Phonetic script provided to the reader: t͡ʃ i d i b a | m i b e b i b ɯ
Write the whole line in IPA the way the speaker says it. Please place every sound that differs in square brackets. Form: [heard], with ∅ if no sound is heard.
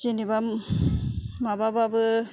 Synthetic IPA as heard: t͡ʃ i [n] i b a | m [a] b [a] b [a] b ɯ